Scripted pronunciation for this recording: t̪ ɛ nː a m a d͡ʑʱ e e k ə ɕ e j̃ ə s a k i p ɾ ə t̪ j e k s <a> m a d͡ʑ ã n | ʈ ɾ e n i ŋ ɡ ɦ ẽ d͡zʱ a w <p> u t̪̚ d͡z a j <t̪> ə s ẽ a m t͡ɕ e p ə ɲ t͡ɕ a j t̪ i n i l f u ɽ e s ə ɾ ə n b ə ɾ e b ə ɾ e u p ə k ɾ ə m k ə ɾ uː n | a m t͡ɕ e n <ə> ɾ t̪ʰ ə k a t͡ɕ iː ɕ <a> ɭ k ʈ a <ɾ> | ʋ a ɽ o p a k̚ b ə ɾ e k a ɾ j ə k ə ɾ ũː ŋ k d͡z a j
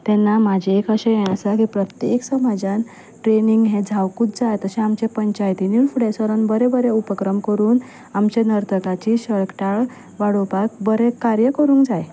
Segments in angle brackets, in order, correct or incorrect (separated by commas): incorrect, incorrect, correct, correct, incorrect, incorrect